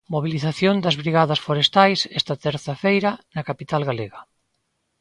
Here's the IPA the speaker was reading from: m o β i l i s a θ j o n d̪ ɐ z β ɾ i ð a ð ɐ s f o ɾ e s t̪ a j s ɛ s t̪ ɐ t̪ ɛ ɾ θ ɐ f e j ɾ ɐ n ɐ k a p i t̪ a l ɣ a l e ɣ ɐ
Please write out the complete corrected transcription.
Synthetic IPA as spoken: m o β i l i θ a θ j o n d̪ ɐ z β ɾ i ɣ a ð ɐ s f o ɾ e s t̪ a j s ɛ s t̪ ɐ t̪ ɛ ɾ θ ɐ f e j ɾ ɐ n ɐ k a p i t̪ a l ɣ a l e ɣ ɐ

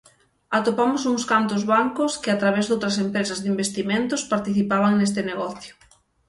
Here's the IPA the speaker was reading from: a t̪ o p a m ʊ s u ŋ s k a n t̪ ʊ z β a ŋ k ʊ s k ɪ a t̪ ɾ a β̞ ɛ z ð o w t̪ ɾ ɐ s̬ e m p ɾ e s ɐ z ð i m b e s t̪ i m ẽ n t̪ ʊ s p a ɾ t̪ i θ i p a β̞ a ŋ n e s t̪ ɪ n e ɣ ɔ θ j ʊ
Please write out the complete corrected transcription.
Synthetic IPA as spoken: a t̪ o p a m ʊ s u ŋ s k a n t̪ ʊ z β a ŋ k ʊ s k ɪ a t̪ ɾ a β̞ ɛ z ð o w t̪ ɾ ɐ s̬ e m p ɾ e s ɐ z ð i m b e s t̪ i m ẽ n t̪ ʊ s p a ɾ t̪ i θ i p a β̞ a ŋ n e s t̪ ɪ n e ɣ ɔ θ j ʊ

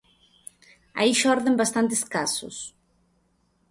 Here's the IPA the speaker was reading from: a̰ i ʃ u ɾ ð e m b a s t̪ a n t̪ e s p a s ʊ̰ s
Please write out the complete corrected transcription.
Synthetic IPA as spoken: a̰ i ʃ ɔ ɾ ð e m b a s t̪ a n t̪ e s k a s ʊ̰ s

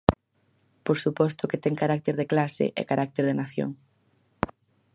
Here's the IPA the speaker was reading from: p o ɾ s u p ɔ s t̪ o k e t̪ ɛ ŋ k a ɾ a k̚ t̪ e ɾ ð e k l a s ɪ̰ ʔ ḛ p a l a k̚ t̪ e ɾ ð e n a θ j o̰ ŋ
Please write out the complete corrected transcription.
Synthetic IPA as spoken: p o ɾ s u p ɔ s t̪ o k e t̪ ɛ ŋ k a ɾ a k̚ t̪ e ɾ ð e k l a s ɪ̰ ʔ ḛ k a ɾ a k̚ t̪ e ɾ ð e n a θ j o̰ ŋ

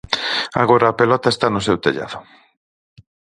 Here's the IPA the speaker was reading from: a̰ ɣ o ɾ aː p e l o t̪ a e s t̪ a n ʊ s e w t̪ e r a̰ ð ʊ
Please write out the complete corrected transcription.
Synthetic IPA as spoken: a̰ ɣ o ɾ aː p e l ɔ t̪ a e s t̪ a n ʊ s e w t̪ e ʎ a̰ ð ʊ

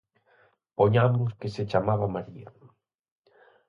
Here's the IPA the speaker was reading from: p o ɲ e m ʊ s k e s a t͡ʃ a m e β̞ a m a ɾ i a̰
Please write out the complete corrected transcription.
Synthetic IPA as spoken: p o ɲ a m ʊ s k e s e t͡ʃ a m a β̞ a m a ɾ i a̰

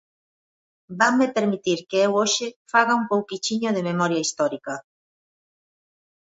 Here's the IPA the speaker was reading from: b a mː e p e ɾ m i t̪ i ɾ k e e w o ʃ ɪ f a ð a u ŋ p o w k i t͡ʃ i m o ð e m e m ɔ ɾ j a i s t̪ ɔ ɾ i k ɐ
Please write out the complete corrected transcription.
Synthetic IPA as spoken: b a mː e p e ɾ m i t̪ i ɾ k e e w o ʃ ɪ f a ɣ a u m p o w k i t͡ʃ i ɲ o ð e m e m ɔ ɾ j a i s t̪ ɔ ɾ i k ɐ

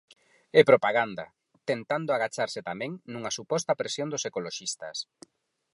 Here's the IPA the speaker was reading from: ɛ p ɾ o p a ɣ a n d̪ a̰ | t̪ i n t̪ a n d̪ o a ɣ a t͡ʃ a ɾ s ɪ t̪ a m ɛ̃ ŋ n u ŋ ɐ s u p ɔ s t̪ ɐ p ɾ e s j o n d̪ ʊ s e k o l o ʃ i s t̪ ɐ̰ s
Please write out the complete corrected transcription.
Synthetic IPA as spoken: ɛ p ɾ o p a ɣ a n d̪ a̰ | t̪ e n t̪ a n d̪ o a ɣ a t͡ʃ a ɾ s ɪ t̪ a m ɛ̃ ŋ n u ŋ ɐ s u p ɔ s t̪ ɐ p ɾ e s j o n d̪ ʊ s e k o l o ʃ i s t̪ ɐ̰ s

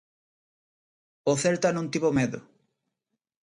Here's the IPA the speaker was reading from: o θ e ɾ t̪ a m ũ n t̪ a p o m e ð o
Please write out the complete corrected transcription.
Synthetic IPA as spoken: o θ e ɾ t̪ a n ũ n t̪ i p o m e ð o

